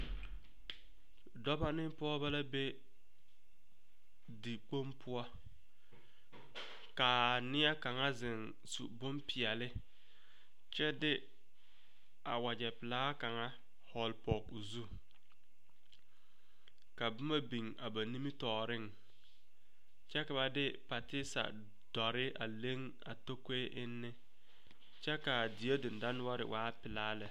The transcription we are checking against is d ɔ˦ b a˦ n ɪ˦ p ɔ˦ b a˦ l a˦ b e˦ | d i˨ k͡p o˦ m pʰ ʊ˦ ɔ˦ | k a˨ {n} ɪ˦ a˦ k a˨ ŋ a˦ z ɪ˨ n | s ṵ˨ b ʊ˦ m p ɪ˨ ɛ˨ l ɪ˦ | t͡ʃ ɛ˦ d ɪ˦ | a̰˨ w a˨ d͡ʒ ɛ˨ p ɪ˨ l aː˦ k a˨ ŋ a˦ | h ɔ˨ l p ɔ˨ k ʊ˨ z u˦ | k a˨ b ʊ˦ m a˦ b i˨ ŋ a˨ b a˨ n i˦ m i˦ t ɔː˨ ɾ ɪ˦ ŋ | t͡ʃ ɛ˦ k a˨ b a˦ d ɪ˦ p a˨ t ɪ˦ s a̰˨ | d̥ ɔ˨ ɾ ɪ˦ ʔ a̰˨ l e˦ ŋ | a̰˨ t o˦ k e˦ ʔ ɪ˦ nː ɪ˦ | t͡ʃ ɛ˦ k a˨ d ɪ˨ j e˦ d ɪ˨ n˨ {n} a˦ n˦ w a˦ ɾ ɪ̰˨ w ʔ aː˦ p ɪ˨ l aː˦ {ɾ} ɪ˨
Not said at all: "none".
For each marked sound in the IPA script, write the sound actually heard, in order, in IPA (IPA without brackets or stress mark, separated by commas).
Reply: n, d, l